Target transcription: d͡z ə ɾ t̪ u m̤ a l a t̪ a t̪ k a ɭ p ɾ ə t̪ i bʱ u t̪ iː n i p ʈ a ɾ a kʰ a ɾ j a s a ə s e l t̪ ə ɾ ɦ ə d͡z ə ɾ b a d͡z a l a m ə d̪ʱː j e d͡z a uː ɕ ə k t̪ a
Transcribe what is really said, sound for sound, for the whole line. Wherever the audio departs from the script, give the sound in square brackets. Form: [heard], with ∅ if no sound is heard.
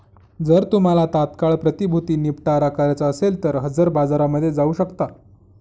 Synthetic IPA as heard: d͡z ə ɾ t̪ u m̤ a l a t̪ a t̪ k a ɭ p ɾ ə t̪ i bʱ u t̪ iː n i p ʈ a ɾ a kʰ a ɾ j a [t͡s] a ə s e l t̪ ə ɾ ɦ ə d͡z ə ɾ b a d͡z a [ɾ] a m ə d̪ʱː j e d͡z a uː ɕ ə k t̪ a